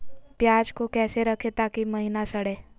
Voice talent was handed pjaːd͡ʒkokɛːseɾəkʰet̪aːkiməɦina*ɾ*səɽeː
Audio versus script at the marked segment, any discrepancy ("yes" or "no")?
yes